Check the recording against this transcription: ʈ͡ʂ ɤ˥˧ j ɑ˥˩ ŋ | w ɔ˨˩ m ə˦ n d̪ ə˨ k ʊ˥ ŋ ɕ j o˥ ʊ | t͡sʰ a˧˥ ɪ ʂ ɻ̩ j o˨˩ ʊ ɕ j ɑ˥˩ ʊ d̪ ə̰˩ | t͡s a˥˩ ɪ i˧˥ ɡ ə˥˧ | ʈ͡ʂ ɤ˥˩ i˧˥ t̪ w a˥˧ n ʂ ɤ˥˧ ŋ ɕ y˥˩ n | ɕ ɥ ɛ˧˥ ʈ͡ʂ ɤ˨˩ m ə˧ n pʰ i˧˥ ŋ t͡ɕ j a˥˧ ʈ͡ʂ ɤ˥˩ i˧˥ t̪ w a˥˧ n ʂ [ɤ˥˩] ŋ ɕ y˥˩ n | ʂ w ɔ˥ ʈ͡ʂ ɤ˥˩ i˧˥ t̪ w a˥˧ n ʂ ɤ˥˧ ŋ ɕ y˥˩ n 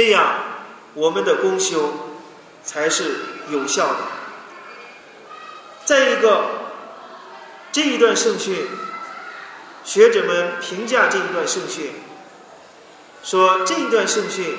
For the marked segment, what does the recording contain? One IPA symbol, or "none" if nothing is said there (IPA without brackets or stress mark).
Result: ɤ˥˧